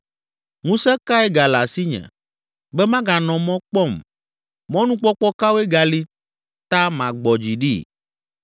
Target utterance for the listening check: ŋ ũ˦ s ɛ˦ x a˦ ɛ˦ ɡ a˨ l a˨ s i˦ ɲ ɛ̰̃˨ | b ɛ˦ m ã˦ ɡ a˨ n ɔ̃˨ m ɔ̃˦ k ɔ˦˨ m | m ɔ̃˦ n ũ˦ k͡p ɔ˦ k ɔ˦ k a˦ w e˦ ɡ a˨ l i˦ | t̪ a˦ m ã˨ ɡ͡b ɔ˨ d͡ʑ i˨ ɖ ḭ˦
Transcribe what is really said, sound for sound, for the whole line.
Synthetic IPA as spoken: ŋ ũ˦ s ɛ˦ k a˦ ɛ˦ ɡ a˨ l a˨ s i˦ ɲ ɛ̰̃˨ | b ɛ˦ m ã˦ ɡ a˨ n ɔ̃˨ m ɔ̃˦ k͡p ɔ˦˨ m | m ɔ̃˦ n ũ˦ k͡p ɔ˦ k͡p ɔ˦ k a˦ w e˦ ɡ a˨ l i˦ | t̪ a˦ m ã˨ ɡ͡b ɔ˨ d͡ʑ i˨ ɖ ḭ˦